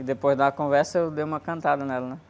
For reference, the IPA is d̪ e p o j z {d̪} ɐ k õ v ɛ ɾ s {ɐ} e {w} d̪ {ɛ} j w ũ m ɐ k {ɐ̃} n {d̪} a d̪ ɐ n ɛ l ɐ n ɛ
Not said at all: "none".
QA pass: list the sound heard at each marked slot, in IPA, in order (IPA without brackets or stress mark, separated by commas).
d̪, ɐ, w, e, ɐ̃, t̪